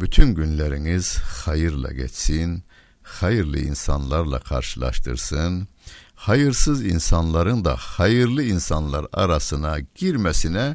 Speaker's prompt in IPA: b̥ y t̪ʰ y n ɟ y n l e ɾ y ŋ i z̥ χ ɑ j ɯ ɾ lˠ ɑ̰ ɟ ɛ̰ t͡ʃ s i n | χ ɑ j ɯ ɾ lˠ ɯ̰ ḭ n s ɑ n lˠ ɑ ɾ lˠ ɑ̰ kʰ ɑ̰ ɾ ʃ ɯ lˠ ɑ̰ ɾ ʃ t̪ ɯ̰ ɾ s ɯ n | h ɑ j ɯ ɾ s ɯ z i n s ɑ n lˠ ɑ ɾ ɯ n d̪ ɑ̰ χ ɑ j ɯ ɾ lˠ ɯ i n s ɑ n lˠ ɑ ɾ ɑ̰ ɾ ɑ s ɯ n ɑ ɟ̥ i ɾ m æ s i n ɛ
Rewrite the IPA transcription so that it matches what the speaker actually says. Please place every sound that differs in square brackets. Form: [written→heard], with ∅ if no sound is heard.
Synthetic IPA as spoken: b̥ y t̪ʰ y n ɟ y n l [e→æ] ɾ [y→i] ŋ i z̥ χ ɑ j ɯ ɾ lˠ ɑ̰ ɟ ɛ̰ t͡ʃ s i n | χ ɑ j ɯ ɾ lˠ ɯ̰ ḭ n s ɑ n lˠ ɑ ɾ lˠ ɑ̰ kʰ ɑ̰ ɾ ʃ ɯ lˠ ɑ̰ ɾ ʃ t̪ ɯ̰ ɾ s ɯ n | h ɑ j ɯ ɾ s ɯ z i n s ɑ n lˠ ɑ ɾ ɯ n d̪ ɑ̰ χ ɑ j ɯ ɾ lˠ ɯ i n s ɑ n lˠ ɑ ɾ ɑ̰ ɾ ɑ s ɯ n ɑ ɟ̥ i ɾ m æ s i n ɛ